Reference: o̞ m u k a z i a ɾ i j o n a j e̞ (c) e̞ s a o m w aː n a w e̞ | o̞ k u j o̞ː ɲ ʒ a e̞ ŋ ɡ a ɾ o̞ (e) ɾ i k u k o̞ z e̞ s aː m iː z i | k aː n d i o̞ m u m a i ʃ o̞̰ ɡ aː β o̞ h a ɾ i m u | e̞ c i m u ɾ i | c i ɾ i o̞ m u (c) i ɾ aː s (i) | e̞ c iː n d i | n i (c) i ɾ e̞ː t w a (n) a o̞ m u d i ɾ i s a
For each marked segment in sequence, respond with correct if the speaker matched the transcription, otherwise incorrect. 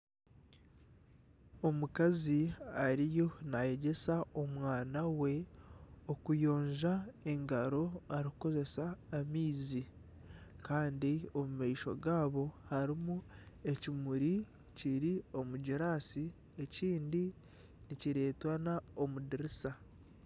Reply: incorrect: ɟ, incorrect: a, incorrect: ɟ, correct, correct, correct

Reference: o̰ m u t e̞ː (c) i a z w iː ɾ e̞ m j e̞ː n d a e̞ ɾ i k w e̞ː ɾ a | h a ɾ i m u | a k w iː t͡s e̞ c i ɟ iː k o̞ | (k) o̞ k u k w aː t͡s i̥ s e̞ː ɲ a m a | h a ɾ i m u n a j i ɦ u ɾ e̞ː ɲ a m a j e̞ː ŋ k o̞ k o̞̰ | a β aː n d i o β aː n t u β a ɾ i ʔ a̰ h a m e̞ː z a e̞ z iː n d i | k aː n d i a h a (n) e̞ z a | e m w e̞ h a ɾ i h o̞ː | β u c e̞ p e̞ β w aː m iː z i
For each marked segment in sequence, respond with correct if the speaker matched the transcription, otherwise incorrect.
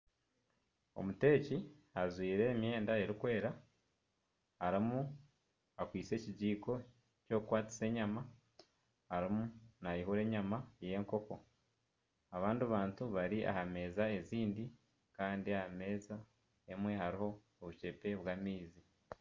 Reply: correct, incorrect: c, incorrect: m

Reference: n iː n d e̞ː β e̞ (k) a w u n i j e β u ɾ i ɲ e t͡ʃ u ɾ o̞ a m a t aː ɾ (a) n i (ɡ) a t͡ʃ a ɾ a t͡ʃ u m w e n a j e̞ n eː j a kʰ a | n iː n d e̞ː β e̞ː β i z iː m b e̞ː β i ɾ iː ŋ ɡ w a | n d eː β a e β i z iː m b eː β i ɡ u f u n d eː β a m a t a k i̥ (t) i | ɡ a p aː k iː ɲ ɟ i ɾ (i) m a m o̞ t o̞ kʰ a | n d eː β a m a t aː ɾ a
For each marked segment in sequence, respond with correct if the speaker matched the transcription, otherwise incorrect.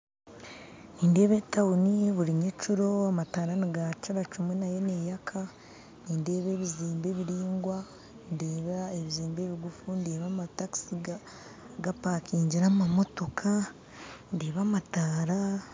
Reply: incorrect: t, correct, correct, incorrect: s, incorrect: a

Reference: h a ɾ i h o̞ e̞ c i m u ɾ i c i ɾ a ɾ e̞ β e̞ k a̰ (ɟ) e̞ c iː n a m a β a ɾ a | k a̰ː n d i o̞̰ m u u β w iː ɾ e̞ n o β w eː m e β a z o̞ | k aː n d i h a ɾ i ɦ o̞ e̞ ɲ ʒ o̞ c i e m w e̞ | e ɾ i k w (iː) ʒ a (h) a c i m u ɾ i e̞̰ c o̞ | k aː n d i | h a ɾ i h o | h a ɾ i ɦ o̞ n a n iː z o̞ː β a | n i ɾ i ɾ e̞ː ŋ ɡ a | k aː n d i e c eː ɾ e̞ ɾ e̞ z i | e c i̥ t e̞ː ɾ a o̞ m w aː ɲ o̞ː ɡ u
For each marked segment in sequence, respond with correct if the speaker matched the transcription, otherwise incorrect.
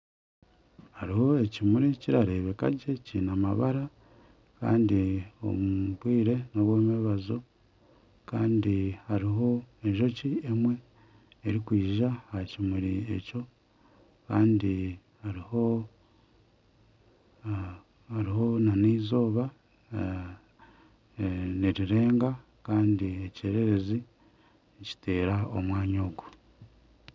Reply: correct, correct, correct

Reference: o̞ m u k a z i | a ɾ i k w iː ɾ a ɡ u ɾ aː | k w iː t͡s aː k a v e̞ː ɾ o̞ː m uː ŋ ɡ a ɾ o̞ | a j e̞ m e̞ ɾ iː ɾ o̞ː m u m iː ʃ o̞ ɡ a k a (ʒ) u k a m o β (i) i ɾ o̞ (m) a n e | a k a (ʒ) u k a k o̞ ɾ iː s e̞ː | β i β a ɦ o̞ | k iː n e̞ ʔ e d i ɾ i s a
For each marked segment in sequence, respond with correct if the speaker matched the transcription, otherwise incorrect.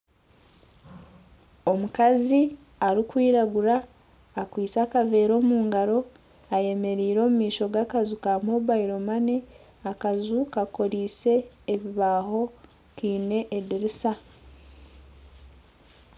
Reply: incorrect: z, incorrect: a, correct, incorrect: z

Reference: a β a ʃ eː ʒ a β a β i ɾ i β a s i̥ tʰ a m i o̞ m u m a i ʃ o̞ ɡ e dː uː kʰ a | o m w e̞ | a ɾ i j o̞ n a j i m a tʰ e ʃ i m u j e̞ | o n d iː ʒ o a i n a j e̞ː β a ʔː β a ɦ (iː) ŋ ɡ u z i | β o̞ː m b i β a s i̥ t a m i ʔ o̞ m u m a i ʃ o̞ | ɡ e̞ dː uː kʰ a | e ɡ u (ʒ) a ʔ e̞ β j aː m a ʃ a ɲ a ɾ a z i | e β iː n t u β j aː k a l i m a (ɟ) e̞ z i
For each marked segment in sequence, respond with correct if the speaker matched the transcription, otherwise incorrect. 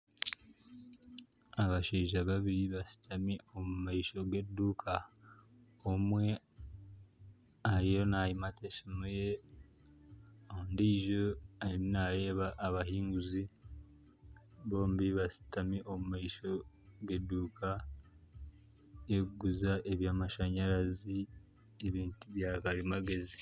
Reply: correct, incorrect: z, incorrect: ɡ

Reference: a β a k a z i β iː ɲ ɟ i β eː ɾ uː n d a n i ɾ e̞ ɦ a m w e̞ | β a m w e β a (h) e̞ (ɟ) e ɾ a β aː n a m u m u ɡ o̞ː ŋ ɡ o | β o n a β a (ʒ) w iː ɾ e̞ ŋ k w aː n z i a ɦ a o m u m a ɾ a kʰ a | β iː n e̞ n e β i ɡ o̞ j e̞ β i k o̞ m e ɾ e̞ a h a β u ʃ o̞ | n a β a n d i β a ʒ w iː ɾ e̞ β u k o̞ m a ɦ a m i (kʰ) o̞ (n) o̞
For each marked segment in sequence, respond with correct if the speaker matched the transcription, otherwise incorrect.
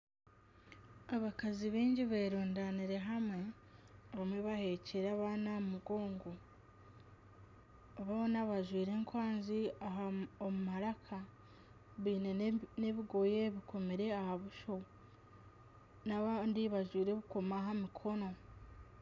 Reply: correct, incorrect: c, correct, correct, correct

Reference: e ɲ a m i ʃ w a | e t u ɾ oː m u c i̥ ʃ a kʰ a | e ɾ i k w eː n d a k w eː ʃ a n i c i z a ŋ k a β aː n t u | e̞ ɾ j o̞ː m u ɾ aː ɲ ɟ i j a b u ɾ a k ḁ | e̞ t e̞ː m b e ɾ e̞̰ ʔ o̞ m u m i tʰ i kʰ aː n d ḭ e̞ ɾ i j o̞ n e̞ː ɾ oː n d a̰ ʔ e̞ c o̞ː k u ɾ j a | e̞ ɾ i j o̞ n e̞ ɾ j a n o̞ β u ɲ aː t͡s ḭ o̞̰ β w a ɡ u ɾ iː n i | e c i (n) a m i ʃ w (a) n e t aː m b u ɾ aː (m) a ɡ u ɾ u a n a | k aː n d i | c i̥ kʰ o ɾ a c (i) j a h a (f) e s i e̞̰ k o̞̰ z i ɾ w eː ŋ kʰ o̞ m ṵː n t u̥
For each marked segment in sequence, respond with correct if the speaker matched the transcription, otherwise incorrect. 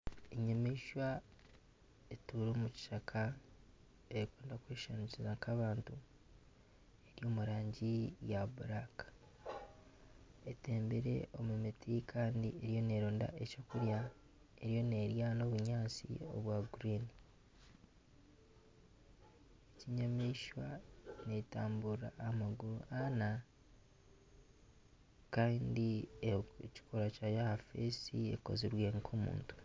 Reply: incorrect: ɲ, correct, correct, incorrect: a, correct

